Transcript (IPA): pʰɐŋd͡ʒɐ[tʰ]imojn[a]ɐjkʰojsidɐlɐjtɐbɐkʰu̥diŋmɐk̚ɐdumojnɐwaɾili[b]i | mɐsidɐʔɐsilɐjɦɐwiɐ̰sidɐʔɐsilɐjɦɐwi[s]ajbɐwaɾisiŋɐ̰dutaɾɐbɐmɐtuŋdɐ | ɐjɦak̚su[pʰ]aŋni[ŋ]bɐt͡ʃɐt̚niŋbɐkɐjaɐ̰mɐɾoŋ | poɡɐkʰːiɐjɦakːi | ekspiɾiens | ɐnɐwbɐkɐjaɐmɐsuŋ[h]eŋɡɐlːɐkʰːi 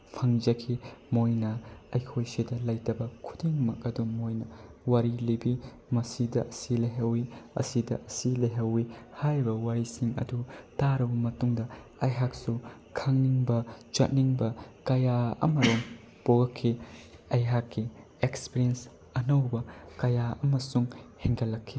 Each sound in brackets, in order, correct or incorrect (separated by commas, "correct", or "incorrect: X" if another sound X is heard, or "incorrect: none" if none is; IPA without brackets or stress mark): incorrect: kʰ, incorrect: ɐ, correct, incorrect: h, incorrect: kʰ, correct, correct